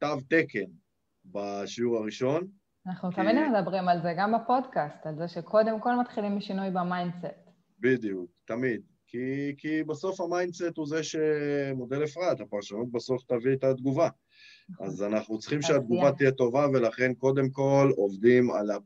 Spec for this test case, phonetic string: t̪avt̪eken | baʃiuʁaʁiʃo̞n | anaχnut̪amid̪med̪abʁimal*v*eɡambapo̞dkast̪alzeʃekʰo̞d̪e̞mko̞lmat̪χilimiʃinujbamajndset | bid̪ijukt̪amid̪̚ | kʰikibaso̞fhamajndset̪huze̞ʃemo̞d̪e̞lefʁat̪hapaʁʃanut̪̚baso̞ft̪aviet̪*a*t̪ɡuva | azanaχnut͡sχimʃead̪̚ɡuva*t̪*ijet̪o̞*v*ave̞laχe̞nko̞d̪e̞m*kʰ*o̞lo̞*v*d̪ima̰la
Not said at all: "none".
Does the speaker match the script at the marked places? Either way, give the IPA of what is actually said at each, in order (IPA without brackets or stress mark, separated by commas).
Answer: z, a, t̪, v, k, v